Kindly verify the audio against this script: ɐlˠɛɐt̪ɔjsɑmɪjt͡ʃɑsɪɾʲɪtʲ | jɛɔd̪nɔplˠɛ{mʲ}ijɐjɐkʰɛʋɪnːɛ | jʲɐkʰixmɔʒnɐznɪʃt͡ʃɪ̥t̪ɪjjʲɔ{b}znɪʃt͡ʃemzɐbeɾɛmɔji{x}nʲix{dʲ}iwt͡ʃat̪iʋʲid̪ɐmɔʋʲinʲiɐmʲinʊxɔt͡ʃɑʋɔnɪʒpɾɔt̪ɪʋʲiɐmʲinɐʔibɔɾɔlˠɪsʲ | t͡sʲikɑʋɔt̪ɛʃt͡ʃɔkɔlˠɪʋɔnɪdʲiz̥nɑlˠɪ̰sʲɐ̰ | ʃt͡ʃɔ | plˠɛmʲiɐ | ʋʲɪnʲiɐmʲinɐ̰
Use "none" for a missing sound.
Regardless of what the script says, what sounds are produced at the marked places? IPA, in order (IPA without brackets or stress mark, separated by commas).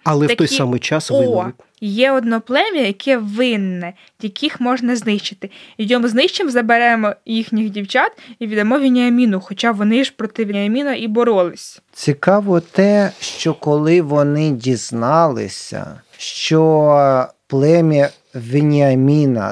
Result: mʲ, m, x, dʲ